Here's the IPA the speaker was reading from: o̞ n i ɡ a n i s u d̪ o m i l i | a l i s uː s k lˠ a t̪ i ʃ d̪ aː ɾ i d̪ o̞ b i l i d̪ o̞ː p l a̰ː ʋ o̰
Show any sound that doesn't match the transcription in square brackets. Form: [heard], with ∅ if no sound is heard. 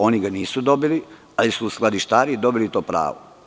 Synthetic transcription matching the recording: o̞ n i ɡ a n [iː] s u d̪ o [b] i l i | a l i s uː s k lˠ a [d̪] i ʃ [t̪] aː ɾ i d̪ o̞ b i l i [t̪] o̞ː p [ɾ] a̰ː ʋ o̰